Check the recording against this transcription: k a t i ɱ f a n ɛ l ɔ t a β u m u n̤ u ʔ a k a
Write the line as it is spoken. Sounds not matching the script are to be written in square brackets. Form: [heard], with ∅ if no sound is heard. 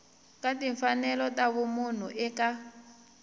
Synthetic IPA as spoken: k a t i ɱ f a n ɛ l ɔ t a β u m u n̤ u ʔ [ɛ] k a

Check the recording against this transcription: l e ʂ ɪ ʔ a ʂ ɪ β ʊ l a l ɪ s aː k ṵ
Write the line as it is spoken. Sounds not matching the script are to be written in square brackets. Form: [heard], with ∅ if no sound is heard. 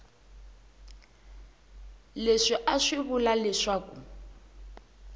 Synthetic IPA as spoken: l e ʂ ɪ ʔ a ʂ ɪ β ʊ l a l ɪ [ʂ] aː k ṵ

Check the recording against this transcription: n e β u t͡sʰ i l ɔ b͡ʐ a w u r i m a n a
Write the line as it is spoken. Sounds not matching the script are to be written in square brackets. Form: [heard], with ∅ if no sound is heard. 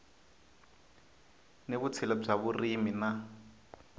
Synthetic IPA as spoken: n e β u t͡sʰ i l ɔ b͡ʐ a [β] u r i m [i] n a

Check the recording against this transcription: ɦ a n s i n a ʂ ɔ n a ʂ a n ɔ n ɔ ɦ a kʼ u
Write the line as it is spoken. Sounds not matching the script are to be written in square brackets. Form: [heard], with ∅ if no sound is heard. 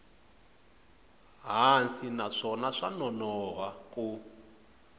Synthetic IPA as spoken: ɦ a n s i n a ʂ ɔ n a ʂ a n ɔ n ɔ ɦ a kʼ u

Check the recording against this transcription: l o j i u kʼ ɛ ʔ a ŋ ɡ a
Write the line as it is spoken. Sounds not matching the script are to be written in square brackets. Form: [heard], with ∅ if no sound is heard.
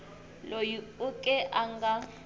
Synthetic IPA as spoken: l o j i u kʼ ɛ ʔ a ŋ ɡ a

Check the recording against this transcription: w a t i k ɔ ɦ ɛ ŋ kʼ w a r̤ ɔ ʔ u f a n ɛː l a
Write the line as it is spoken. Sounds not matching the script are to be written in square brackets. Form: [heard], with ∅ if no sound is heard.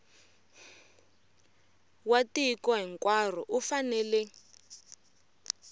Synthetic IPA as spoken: w a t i k ɔ ɦ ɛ ŋ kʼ w a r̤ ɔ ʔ u f a n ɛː l [ɛ]

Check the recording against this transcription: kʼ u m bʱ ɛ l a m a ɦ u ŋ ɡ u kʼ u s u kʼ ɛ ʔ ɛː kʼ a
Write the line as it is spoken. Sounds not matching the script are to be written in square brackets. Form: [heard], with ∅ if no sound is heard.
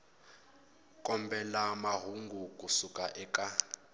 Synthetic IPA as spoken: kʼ [ɔ] m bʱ ɛ l a m a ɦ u ŋ ɡ u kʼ u s u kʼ [a] ʔ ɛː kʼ a

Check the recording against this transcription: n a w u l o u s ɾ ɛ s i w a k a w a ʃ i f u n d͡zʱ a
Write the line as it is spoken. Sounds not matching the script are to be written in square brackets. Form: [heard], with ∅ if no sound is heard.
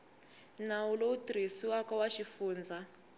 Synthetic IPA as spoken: n a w u l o u [t] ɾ [i] s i w a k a w a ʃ i f [uː] n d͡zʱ a

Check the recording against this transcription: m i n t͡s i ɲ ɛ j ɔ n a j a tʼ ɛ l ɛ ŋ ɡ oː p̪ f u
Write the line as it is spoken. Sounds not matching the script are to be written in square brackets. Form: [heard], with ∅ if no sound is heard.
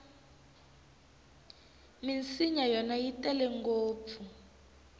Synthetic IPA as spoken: m i n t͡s i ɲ [a] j ɔ n a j [i] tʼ ɛ l ɛ ŋ ɡ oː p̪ f u

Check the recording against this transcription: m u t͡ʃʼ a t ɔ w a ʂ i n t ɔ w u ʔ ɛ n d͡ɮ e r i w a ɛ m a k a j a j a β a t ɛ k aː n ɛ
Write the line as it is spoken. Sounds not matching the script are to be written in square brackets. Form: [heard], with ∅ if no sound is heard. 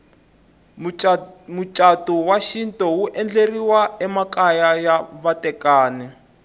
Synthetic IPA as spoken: m u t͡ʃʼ a t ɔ w a [ʃ] i n t ɔ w u ʔ ɛ n d͡ɮ e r i w a ɛ m a k a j a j a β a t ɛ k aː n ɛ

